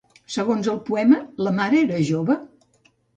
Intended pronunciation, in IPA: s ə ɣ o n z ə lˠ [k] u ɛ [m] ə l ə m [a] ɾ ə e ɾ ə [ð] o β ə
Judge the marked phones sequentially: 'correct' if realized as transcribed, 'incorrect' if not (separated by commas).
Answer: incorrect, correct, correct, incorrect